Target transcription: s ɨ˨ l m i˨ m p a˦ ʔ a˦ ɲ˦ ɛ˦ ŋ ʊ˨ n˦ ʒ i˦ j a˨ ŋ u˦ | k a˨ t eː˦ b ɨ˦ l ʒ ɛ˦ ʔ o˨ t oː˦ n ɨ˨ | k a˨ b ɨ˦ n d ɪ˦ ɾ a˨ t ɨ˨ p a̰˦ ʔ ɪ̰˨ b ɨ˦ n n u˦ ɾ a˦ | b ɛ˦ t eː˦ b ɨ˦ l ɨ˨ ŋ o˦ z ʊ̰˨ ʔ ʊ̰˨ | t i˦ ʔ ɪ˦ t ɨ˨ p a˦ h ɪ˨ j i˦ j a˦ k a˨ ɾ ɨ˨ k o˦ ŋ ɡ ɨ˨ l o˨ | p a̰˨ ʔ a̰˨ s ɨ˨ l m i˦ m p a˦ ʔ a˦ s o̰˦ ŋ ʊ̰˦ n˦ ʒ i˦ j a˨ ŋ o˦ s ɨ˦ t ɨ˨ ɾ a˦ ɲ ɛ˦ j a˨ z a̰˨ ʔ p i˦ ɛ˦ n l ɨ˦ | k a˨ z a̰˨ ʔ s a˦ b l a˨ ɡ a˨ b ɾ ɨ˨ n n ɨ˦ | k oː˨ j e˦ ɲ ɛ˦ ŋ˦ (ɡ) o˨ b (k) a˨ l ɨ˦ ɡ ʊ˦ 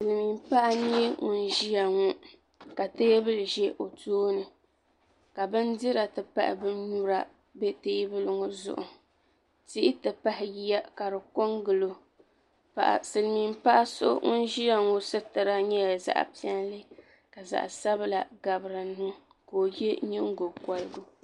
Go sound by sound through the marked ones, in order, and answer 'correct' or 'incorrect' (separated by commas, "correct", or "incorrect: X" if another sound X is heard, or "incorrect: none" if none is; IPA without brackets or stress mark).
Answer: correct, correct